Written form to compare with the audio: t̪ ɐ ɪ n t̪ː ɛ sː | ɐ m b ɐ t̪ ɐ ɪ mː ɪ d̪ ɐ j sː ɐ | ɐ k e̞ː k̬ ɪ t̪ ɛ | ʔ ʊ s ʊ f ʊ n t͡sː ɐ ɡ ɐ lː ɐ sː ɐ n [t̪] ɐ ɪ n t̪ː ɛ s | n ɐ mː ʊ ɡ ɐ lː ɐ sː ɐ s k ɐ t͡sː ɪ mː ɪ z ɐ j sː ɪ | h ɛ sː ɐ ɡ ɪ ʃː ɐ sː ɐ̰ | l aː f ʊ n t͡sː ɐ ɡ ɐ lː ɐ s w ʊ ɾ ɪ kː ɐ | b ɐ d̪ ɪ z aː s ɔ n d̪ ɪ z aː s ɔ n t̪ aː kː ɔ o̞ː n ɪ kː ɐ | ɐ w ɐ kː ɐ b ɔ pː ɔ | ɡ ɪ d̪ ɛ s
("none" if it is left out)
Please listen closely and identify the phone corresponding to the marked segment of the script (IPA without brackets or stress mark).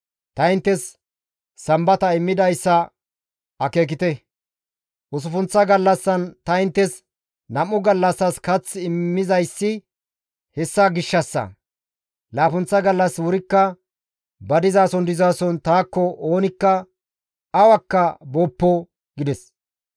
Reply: t̪